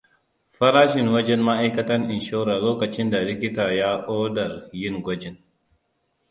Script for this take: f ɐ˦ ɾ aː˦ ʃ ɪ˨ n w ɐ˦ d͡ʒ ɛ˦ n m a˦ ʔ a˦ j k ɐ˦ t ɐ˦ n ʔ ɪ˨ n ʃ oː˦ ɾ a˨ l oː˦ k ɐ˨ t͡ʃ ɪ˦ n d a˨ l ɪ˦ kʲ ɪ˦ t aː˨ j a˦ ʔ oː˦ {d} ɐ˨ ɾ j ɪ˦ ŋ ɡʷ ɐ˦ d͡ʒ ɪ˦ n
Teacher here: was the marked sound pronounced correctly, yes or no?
yes